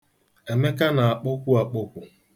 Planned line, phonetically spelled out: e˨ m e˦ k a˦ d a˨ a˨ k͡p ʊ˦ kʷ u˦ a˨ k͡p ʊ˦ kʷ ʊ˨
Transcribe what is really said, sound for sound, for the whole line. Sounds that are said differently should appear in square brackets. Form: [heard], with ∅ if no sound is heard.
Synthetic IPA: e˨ m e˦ k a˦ [n] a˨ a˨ k͡p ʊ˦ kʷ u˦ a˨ k͡p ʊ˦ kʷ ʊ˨